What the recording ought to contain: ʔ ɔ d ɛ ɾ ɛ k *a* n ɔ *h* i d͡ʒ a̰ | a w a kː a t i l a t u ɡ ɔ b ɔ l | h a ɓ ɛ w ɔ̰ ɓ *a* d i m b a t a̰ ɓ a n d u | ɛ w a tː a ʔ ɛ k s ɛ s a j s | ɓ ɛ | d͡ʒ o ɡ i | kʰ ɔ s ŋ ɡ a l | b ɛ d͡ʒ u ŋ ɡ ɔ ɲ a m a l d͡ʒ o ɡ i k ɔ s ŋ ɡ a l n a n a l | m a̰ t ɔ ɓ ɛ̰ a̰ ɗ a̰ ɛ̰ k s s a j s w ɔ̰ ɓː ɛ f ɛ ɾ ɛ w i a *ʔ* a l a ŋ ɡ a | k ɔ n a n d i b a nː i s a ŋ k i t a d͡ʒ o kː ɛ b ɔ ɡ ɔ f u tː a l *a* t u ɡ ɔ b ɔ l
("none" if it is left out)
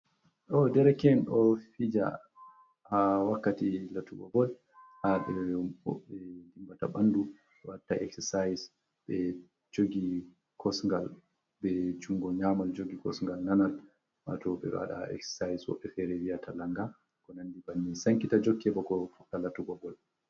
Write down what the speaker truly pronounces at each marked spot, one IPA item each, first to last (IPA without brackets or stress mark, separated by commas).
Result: ɛ, f, ɛ, t, a